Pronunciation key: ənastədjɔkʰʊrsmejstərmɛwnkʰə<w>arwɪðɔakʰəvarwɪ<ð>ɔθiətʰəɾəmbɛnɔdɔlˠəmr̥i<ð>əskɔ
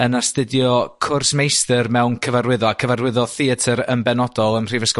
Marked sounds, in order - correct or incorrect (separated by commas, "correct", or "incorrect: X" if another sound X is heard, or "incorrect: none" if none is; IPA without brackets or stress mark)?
incorrect: v, correct, incorrect: v